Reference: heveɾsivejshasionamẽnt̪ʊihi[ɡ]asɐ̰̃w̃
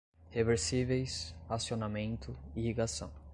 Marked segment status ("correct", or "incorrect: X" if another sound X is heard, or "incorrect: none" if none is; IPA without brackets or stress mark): correct